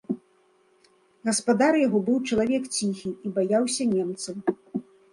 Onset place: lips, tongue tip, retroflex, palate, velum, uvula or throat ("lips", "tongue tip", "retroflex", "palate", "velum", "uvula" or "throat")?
velum